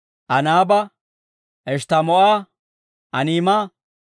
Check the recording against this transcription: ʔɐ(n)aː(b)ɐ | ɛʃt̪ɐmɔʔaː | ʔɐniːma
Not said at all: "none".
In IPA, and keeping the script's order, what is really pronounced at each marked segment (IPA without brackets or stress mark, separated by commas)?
n, b